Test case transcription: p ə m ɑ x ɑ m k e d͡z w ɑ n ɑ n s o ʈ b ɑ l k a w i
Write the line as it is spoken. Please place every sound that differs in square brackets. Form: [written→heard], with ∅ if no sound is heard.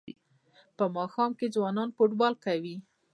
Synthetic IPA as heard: p ə m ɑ x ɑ m k e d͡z w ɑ n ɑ n [s→f] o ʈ b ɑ l k a w i